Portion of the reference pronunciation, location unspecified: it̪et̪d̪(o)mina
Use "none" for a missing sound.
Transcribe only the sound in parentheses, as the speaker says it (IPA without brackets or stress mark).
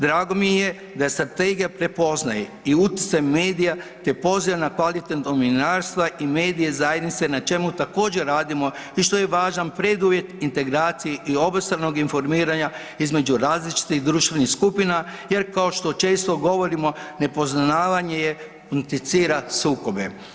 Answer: o